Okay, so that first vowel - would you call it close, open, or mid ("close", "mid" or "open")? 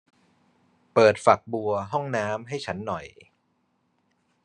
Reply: mid